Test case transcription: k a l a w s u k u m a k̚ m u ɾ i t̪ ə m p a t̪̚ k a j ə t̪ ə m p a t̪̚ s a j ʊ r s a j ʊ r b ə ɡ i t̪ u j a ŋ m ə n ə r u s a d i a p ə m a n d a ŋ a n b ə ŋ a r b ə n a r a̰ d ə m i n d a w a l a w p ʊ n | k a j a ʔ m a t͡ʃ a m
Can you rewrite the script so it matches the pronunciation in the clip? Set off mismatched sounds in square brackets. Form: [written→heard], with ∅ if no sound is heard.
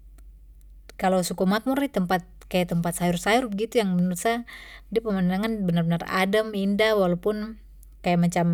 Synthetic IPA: k a l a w s u k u m a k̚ m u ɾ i t̪ ə m p a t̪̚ k a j [ə→a] t̪ ə m p a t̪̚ s a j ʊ r s a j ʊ r b ə ɡ i t̪ u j a ŋ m ə n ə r u s a d i a p ə m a n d a ŋ a n b ə [ŋ→n] a r b ə n a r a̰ d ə m i n d a w a l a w p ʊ n | k a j a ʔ m a t͡ʃ a m